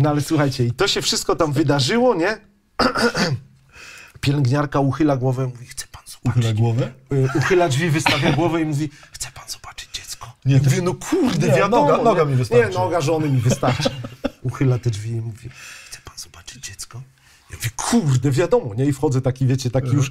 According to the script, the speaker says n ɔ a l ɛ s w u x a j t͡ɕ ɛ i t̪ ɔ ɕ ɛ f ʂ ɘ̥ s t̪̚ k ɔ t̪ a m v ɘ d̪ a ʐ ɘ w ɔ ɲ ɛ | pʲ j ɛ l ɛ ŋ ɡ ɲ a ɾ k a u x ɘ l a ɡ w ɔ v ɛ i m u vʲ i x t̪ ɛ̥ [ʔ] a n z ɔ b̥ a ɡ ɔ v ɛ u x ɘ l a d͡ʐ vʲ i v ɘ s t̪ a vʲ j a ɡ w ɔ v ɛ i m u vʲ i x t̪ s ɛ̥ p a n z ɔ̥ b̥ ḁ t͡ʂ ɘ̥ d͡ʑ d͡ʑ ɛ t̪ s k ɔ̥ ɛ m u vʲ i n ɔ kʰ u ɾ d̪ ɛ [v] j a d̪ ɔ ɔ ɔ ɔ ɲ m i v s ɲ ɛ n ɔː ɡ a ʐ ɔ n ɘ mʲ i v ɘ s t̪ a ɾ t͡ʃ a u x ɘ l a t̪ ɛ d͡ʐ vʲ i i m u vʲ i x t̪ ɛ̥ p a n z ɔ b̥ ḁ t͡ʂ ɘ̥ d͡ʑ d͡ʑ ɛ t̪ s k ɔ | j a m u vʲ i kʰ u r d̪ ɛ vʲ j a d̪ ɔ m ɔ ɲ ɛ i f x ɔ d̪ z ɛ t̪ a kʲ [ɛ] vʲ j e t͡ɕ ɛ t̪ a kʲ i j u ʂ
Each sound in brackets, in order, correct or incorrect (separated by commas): incorrect, correct, incorrect